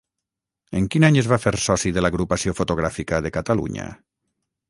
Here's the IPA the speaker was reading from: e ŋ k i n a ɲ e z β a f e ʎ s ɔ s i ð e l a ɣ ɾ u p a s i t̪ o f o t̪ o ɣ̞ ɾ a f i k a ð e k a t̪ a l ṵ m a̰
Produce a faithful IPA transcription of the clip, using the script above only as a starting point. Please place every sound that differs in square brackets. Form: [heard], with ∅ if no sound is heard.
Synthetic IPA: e ŋ k i n a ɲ e z β a f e [ɾ] s ɔ s i ð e l a ɣ ɾ u p a s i [∅] o f o t̪ o ɣ̞ ɾ a f i k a ð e k a t̪ a l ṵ [ɲ] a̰